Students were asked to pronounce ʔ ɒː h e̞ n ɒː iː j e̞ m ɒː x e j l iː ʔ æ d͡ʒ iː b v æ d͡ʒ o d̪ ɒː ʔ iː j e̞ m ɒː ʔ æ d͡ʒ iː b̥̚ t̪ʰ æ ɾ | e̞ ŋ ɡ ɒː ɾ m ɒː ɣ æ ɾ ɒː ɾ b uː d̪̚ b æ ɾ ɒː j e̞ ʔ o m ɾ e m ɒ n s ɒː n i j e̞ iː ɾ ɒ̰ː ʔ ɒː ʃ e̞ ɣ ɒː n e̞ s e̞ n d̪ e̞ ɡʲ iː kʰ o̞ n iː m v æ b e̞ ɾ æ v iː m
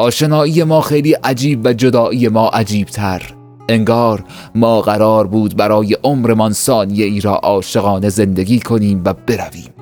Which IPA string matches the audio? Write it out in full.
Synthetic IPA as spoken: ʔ ɒː ʃ e̞ n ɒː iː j e̞ m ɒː x e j l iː ʔ æ d͡ʒ iː b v æ d͡ʒ o d̪ ɒː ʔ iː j e̞ m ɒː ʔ æ d͡ʒ iː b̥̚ t̪ʰ æ ɾ | e̞ ŋ ɡ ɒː ɾ m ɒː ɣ æ ɾ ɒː ɾ b uː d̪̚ b æ ɾ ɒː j e̞ ʔ o m ɾ e m ɒ n s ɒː n i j e̞ iː ɾ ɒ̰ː ʔ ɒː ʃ e̞ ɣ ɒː n e̞ z e̞ n d̪ e̞ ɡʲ iː kʰ o̞ n iː m v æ b e̞ ɾ æ v iː m